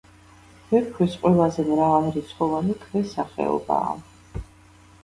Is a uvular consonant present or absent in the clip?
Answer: present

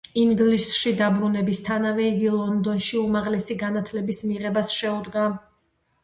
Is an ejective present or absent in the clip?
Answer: absent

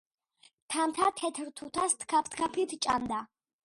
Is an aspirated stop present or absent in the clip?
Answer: present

